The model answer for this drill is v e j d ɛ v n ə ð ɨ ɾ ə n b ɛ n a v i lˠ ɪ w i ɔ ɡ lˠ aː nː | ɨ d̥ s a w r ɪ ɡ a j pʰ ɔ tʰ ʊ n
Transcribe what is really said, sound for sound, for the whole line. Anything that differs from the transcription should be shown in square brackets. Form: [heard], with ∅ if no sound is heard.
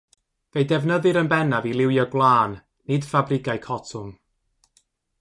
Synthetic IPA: v e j d ɛ v n ə ð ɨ ɾ ə n b ɛ n a v i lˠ ɪ w [j] ɔ ɡ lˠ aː nː | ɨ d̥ [f] a [b] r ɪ ɡ a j [kʰ] ɔ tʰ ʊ [m]